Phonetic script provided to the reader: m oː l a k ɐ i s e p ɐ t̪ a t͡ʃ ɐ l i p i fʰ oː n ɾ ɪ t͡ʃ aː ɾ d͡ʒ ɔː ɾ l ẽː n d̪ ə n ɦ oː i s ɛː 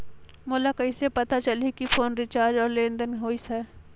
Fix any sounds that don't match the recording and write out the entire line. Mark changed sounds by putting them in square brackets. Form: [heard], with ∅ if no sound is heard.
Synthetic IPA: m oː l a k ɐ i s e p ɐ t̪ a t͡ʃ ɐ l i [k] i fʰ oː n ɾ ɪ t͡ʃ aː ɾ d͡ʒ ɔː ɾ l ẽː n d̪ ə n ɦ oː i s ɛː